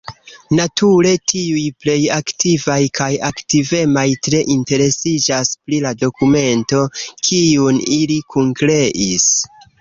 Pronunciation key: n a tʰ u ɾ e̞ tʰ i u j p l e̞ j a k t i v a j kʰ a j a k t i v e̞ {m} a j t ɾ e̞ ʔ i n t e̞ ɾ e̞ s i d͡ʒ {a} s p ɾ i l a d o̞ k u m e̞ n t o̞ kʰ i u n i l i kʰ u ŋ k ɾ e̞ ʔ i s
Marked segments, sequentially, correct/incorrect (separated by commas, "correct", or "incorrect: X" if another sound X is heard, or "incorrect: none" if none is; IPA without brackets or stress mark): correct, correct